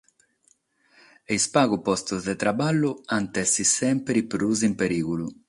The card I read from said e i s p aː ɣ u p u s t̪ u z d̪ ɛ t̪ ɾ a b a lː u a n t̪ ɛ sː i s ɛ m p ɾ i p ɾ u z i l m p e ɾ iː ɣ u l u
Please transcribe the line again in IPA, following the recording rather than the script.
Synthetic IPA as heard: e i s p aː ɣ u p ɔ s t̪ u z d̪ ɛ t̪ ɾ a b a lː u a n t̪ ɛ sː i s ɛ m p ɾ i p ɾ u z i m p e ɾ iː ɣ u l u